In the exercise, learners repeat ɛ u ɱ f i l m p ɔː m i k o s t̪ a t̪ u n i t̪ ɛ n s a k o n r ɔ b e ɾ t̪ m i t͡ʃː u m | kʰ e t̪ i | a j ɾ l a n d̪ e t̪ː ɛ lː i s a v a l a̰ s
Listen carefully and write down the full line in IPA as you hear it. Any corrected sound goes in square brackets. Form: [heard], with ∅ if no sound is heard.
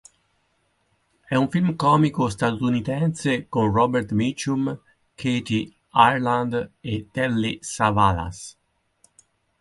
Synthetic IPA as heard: ɛ u ɱ f i l m [k] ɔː m i k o s t̪ a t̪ u n i t̪ ɛ n s [e] k o n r ɔ b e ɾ t̪ m i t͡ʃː u m | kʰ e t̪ i | a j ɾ l a n d̪ e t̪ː ɛ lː i s a v a l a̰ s